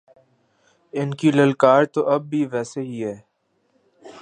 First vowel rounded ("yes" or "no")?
no